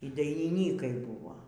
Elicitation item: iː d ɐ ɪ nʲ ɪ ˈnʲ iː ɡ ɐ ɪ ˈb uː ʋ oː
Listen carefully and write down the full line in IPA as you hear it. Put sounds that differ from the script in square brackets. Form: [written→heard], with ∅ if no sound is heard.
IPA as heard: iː d ɐ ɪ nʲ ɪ ˈnʲ iː [ɡ→k] ɐ ɪ ˈb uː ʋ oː